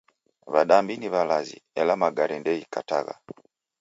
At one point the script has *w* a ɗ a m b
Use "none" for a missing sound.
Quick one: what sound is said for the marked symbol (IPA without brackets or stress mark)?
β